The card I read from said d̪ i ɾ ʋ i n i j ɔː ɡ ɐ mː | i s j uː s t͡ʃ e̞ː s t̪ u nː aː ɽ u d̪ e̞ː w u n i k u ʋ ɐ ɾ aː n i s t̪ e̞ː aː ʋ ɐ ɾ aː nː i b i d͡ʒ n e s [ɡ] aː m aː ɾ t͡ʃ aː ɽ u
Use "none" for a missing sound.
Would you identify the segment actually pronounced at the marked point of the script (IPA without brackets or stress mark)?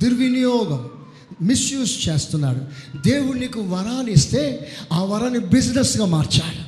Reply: ɡ